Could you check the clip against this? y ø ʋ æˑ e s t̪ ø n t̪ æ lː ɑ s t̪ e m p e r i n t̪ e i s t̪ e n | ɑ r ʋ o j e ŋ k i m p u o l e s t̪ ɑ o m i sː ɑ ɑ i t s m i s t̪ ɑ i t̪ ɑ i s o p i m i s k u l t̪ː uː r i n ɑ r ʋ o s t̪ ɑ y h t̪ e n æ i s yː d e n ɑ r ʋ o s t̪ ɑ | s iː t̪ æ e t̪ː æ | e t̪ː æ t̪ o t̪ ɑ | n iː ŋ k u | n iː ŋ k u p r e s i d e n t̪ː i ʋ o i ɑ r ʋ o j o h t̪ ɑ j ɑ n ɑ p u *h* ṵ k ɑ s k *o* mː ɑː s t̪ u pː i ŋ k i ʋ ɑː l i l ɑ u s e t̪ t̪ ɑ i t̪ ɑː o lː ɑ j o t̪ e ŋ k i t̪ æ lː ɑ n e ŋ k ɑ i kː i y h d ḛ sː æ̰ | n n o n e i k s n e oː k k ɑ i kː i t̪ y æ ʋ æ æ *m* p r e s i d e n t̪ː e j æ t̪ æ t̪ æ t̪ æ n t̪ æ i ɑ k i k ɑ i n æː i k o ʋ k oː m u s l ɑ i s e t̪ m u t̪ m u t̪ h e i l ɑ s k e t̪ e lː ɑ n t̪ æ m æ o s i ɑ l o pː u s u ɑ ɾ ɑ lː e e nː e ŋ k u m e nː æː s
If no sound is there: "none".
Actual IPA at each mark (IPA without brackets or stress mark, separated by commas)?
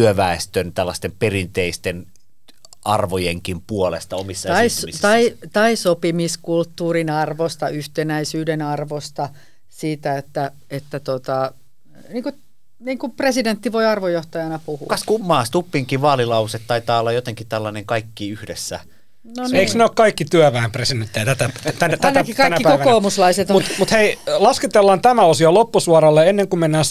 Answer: h, u, m